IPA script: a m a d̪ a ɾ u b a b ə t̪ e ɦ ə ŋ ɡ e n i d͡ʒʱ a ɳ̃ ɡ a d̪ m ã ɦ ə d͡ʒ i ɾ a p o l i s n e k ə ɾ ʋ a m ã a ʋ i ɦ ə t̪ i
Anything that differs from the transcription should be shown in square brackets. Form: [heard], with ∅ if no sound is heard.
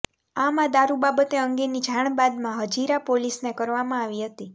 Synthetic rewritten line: a m a d̪ a ɾ u b a b ə t̪ e [∅] ə ŋ ɡ e n i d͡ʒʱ a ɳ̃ [b] a d̪ m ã ɦ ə d͡ʒ i ɾ a p o l i s n e k ə ɾ ʋ a m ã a ʋ i ɦ ə t̪ i